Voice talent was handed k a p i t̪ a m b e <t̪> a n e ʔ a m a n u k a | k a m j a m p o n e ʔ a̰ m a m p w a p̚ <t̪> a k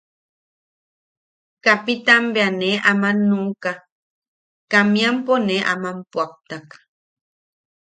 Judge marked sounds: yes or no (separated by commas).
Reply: no, yes